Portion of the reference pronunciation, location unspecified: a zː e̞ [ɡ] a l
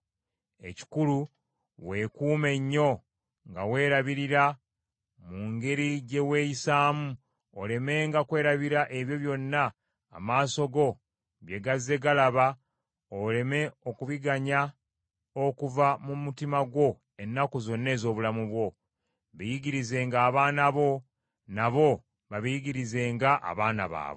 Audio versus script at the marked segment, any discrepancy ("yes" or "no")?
no